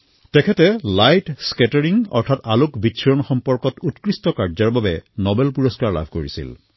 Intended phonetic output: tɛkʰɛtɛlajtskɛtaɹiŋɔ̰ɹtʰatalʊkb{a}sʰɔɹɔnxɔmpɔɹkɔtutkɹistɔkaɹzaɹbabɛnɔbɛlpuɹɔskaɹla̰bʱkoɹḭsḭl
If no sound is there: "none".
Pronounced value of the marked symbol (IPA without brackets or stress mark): i